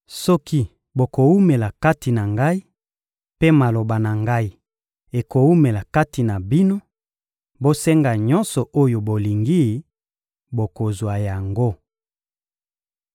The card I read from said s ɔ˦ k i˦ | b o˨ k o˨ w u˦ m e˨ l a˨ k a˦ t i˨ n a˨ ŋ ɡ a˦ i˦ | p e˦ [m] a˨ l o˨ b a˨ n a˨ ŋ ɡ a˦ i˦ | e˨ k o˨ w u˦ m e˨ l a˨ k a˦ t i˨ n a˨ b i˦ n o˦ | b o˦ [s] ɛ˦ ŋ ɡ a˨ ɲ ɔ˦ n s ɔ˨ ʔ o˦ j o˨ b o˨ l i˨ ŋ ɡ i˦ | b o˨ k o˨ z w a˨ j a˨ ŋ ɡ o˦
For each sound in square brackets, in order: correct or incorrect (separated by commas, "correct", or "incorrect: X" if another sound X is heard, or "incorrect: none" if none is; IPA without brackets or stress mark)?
correct, correct